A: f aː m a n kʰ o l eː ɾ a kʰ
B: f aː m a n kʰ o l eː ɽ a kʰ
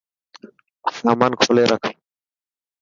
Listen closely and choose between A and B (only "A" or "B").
A